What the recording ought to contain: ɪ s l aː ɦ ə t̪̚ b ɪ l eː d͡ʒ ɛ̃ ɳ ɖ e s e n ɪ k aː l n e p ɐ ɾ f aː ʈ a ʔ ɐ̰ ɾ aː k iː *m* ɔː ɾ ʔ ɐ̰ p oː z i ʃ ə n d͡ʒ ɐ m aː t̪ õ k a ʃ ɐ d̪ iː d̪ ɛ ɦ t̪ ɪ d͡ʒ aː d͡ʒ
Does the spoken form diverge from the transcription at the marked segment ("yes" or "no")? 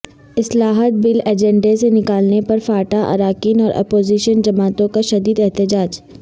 yes